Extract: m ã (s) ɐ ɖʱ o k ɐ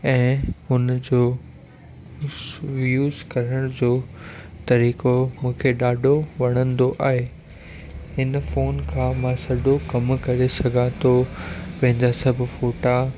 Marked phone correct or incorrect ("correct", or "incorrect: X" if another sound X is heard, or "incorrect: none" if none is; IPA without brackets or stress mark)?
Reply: correct